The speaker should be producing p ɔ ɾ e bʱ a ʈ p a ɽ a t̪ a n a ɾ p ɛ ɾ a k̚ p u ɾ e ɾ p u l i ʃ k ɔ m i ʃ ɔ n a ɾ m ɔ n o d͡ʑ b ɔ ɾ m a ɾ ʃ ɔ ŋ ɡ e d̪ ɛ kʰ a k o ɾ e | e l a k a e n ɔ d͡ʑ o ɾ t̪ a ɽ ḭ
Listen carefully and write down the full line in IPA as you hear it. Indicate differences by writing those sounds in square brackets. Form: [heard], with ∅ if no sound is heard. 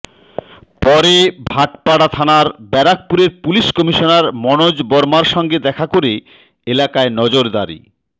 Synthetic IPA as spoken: p ɔ ɾ e bʱ a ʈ p a ɽ a [t̪ʰ] a n a ɾ [b] ɛ ɾ a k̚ p u ɾ e ɾ p u l i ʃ k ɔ m i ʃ [o] n a ɾ m ɔ n o d͡ʑ b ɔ ɾ m a ɾ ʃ ɔ ŋ ɡ e d̪ ɛ kʰ a k o ɾ e | e l a k a e n ɔ d͡ʑ o ɾ [d̪] a [ɾ] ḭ